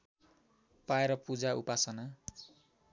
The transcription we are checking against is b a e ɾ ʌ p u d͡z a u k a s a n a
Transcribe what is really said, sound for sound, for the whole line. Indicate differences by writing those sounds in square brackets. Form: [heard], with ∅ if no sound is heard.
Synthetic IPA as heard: [p] a e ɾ ʌ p u d͡z a u [p] a s [ʌ] n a

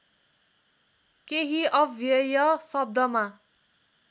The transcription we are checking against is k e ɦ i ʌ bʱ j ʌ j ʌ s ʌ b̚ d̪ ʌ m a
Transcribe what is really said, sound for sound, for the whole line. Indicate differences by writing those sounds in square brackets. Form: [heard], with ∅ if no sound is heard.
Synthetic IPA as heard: k e ɦ i ʌ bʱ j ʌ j ʌ s ʌ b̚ d̪ ʌ m a

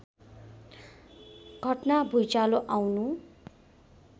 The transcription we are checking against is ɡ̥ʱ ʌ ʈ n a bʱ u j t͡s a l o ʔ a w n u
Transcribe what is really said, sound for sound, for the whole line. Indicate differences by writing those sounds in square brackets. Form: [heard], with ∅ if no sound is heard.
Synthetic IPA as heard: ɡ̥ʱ ʌ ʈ n a bʱ u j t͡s a l o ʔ a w n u

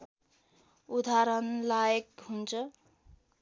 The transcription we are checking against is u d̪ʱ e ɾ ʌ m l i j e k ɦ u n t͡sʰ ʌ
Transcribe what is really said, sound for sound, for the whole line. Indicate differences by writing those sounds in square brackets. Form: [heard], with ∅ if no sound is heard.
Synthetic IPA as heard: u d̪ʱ [a] ɾ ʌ [n] l [a] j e k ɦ u n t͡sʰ ʌ

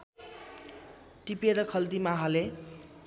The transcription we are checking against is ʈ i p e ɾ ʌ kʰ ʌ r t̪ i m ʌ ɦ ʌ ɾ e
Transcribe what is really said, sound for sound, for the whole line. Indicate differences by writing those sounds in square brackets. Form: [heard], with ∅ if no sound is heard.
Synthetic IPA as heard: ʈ i p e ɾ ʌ kʰ ʌ [l] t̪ i m [a] ɦ ʌ [l] e

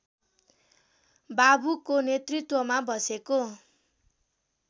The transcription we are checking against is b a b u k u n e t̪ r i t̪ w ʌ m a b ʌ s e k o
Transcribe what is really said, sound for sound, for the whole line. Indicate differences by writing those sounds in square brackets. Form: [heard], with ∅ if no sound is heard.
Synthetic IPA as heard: b a b u k [o] n e t̪ r i t̪ w ʌ m a b ʌ s e k o

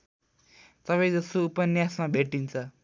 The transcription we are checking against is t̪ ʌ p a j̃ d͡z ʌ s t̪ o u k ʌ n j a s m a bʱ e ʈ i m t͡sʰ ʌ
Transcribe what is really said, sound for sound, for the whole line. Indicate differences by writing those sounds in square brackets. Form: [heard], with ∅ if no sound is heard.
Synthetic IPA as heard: t̪ ʌ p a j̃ d͡z ʌ s t̪ o u [p] ʌ n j a s m a bʱ e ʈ i [n] t͡sʰ ʌ

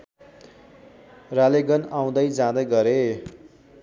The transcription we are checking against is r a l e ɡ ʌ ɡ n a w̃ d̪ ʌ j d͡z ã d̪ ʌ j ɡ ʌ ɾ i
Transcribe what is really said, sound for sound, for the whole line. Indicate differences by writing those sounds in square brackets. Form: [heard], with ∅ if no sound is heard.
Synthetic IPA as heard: r a l e ɡ ʌ [∅] n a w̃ d̪ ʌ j d͡z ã d̪ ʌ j ɡ ʌ ɾ [e]

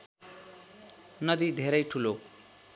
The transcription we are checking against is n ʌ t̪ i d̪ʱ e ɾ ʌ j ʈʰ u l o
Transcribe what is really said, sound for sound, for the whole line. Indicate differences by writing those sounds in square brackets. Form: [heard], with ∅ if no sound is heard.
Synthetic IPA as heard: n ʌ [d̪] i d̪ʱ e ɾ ʌ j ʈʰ u l o

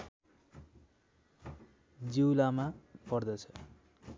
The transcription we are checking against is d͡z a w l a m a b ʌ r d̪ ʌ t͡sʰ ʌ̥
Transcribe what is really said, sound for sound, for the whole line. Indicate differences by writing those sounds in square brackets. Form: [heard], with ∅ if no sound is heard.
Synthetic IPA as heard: d͡z [i] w l a m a [p] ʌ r d̪ ʌ t͡sʰ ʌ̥

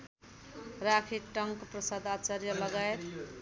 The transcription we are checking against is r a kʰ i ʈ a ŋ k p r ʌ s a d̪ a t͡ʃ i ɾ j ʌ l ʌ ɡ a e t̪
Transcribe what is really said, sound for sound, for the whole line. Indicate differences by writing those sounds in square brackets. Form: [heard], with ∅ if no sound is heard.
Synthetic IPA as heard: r a kʰ i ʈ [ʌ] ŋ k p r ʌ s a d̪ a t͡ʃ [a] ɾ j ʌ l ʌ ɡ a e t̪

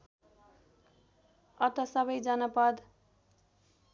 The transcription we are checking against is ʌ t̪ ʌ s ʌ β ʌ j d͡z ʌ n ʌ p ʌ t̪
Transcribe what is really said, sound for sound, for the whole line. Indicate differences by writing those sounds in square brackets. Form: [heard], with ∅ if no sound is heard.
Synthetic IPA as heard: ʌ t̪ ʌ s ʌ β ʌ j d͡z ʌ n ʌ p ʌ [d̪]

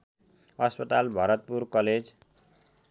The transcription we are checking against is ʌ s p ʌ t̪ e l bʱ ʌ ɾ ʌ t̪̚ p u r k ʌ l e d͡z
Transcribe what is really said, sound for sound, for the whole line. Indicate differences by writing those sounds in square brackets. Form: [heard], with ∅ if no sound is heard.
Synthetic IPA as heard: ʌ s p ʌ t̪ [a] l bʱ ʌ ɾ ʌ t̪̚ p u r k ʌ l e d͡z

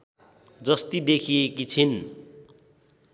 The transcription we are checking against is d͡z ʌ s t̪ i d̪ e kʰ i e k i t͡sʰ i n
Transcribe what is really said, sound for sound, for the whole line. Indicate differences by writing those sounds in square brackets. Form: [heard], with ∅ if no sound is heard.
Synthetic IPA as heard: d͡z ʌ s t̪ i d̪ e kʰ i e k i t͡sʰ i n

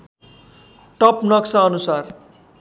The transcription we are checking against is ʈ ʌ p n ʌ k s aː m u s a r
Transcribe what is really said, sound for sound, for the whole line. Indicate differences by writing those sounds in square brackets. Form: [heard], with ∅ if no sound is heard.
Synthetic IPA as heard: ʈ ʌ p n ʌ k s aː [n] u s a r

